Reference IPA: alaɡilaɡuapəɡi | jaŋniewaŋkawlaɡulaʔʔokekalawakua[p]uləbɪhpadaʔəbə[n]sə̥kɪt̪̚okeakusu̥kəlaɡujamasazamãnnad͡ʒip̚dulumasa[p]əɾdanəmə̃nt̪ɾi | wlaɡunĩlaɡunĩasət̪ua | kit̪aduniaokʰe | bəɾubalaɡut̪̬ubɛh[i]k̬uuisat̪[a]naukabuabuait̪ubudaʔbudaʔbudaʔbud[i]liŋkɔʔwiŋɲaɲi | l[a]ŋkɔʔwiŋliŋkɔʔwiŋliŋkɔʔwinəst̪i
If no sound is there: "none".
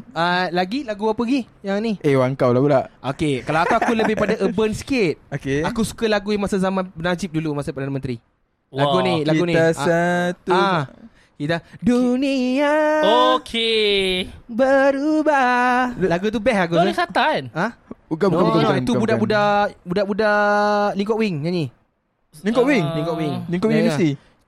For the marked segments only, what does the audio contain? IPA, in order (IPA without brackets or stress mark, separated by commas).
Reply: k, n, p, a, a, a, i